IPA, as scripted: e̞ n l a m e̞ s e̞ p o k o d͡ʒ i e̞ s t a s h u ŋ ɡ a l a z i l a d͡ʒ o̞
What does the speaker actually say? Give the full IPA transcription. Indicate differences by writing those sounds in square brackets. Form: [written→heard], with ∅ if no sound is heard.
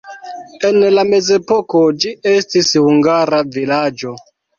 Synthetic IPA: e̞ n l a m e̞ [s→z] e̞ p o k o d͡ʒ i e̞ s t [a→i] s h u ŋ ɡ a [l→ɾ] a [z→v] i l a d͡ʒ o̞